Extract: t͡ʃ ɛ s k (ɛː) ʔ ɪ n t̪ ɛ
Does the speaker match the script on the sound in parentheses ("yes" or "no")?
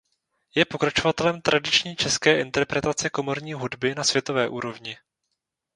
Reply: yes